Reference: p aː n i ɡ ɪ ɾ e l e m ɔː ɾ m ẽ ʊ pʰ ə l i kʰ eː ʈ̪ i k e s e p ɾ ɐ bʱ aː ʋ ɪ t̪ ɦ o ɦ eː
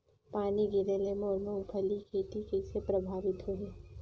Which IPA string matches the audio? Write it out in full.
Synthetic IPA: p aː n i ɡ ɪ ɾ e l e m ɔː ɾ m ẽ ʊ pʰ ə l i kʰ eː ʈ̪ i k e s e p ɾ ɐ bʱ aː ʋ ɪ t̪ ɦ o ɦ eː

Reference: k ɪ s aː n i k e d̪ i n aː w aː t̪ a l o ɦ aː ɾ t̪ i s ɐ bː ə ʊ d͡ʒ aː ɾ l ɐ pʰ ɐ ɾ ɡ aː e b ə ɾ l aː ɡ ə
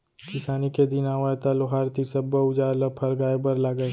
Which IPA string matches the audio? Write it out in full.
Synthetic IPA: k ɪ s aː n i k e d̪ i n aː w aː t̪ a l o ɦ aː ɾ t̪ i s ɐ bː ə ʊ d͡ʒ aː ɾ l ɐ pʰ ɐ ɾ ɡ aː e b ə ɾ l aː ɡ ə

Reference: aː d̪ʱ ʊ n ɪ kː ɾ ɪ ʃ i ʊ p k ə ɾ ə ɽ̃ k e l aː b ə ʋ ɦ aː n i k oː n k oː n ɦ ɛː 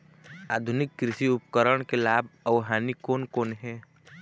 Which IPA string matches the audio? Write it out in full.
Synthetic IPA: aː d̪ʱ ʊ n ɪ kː ɾ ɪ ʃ i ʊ p k ə ɾ ə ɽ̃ k e l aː b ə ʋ ɦ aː n i k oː n k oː n ɦ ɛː

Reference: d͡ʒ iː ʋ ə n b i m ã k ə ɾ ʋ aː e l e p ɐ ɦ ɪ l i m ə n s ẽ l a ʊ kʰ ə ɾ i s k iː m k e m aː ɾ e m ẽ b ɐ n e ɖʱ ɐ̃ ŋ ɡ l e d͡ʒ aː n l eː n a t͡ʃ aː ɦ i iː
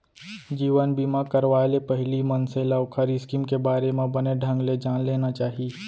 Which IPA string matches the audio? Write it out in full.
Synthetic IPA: d͡ʒ iː ʋ ə n b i m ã k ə ɾ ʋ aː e l e p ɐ ɦ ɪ l i m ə n s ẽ l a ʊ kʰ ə ɾ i s k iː m k e b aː ɾ e m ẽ b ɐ n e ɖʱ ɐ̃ ŋ ɡ l e d͡ʒ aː n l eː n a t͡ʃ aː ɦ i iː

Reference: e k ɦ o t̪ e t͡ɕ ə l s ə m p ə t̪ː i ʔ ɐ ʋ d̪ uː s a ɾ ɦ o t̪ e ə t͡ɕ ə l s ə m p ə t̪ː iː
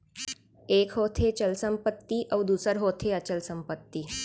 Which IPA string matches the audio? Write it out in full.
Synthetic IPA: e k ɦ o t̪ʰ e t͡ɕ ə l s ə m p ə t̪ː i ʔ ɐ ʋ d̪ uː s ə ɾ ɦ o t̪ʰ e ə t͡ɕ ə l s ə m p ə t̪ː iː

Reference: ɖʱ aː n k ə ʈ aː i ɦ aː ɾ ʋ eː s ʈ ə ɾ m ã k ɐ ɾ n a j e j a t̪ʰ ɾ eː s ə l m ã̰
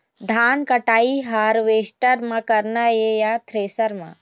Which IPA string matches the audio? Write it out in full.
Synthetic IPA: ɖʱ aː n k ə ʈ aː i ɦ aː ɾ ʋ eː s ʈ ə ɾ m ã k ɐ ɾ n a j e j a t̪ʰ ɾ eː s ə ɾ m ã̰

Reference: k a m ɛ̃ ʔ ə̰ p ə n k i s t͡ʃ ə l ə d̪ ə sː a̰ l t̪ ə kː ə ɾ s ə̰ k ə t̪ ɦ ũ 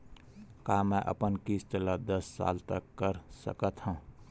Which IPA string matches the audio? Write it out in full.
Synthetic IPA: k a m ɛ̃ ʔ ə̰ p ə n k i s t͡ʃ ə l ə d̪ ə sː a̰ l t̪ ə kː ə ɾ s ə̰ k ə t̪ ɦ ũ

